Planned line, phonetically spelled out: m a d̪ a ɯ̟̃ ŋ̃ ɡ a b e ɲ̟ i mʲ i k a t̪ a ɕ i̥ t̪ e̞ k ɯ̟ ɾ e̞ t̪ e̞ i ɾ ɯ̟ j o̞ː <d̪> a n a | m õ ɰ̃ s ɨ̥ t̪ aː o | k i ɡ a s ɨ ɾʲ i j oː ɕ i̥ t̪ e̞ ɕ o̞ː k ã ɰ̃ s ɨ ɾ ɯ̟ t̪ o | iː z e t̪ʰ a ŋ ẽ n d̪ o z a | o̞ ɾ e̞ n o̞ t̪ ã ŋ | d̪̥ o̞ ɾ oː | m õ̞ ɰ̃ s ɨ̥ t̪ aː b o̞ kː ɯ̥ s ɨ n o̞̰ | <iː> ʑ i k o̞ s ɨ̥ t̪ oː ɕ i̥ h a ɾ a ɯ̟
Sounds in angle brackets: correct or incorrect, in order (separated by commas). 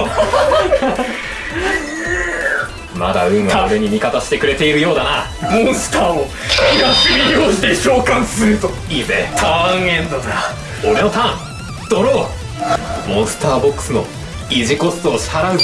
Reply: correct, incorrect